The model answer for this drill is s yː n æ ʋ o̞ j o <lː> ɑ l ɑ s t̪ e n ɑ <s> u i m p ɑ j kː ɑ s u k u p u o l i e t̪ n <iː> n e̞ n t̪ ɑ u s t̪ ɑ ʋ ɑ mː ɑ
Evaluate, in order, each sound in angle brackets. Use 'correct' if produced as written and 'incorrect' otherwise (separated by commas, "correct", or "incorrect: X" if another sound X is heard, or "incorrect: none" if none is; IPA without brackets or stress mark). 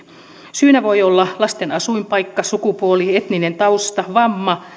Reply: correct, correct, incorrect: i